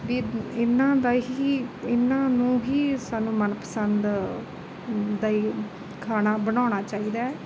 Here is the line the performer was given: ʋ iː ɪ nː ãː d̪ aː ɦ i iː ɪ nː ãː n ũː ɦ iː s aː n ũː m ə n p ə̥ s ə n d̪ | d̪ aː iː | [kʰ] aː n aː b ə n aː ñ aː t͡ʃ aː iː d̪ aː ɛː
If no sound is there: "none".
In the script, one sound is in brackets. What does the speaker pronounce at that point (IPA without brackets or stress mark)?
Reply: kʰ